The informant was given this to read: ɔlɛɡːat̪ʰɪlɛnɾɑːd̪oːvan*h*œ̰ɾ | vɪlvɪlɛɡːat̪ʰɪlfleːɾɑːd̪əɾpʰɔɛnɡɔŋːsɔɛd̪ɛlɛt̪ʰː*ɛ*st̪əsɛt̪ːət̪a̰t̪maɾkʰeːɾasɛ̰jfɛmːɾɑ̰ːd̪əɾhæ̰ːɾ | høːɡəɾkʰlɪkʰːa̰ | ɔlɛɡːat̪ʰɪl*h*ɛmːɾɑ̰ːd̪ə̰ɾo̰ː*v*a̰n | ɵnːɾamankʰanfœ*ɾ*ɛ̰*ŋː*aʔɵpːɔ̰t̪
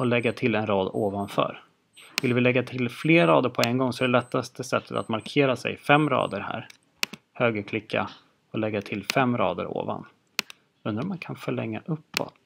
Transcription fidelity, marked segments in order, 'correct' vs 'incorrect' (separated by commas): incorrect, incorrect, incorrect, correct, incorrect, correct